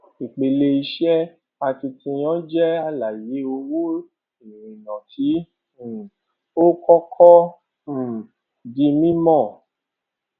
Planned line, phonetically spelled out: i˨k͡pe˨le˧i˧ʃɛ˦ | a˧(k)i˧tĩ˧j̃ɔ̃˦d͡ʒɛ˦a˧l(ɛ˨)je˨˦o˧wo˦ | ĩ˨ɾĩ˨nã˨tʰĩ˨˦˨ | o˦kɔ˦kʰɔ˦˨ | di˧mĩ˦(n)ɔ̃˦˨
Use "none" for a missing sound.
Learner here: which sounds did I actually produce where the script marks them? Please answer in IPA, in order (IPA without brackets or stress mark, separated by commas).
t, a˨, m